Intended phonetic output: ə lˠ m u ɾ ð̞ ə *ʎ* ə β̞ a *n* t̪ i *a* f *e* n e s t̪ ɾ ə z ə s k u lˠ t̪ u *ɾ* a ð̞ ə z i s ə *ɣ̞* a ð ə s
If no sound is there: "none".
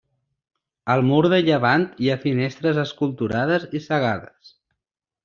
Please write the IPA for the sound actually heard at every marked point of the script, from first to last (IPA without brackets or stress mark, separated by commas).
ʎ, n, a, i, ɾ, ɣ̞